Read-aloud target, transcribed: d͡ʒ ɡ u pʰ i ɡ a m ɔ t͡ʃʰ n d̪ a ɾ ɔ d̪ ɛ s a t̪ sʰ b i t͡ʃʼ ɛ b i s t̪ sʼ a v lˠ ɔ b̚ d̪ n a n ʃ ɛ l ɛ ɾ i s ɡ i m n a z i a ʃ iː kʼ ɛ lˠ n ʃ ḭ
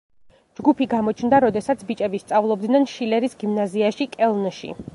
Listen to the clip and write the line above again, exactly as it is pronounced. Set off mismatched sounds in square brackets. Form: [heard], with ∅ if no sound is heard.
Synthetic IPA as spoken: d͡ʒ ɡ u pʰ i ɡ a m ɔ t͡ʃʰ n d̪ a ɾ ɔ d̪ ɛ s a t̪ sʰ b i t͡ʃʼ ɛ b i s t̪ sʼ a v lˠ ɔ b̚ d̪ n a n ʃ [i] l ɛ ɾ i s ɡ i m n a z i a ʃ [i] kʼ ɛ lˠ n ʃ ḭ